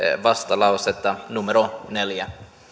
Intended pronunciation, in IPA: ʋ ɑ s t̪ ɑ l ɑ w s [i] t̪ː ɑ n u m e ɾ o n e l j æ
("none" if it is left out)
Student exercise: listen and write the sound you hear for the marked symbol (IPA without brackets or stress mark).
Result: e